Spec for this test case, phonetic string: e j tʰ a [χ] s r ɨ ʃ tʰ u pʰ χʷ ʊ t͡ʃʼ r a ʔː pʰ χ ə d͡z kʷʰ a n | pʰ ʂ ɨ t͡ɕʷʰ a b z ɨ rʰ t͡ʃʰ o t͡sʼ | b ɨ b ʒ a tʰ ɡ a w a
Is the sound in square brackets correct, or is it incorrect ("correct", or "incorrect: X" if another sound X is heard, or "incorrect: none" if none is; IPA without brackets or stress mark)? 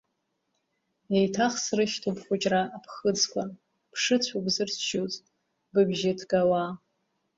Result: correct